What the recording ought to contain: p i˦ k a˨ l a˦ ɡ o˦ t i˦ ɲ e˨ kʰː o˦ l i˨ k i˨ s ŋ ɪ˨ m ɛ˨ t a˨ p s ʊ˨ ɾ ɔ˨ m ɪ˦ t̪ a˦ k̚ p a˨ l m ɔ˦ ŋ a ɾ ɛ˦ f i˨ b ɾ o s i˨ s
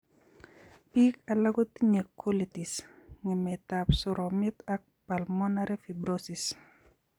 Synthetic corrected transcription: p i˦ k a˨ l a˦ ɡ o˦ t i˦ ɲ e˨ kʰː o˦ l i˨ t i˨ s ŋ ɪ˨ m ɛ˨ t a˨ p s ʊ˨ ɾ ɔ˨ m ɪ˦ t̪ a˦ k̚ p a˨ l m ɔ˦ n a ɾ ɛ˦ f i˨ b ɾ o s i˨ s